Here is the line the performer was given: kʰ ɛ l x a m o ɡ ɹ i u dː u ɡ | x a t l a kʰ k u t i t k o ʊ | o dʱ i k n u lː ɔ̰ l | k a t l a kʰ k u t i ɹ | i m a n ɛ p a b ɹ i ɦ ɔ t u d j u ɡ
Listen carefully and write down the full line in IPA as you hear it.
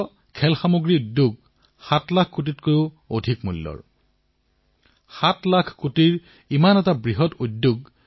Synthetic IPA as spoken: kʰ ɛ l x a m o ɡ ɹ i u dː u ɡ | x a t l a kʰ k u t i t k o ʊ | o dʱ i k m u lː ɔ̰ ɹ | x a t l a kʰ k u t i ɹ | i m a n ɛ t a b ɹ i ɦ ɔ t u d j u ɡ